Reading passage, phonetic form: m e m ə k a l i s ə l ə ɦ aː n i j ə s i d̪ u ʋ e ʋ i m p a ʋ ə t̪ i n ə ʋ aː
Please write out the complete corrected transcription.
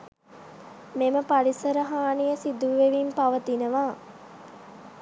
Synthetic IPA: m e m ə p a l i s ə ɾ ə ɦ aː n i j ə s i d̪ u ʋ e ʋ i m p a ʋ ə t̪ i n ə ʋ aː